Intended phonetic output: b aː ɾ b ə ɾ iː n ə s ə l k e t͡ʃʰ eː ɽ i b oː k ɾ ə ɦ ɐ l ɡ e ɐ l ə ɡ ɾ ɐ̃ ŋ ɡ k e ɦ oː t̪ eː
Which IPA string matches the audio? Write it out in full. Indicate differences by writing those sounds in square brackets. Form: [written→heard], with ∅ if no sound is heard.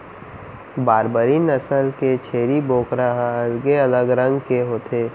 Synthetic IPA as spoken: b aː ɾ b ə ɾ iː n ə s ə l k e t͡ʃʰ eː [ɽ→ɾ] i b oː k ɾ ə ɦ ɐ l ɡ e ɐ l ə ɡ ɾ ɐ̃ ŋ ɡ k e ɦ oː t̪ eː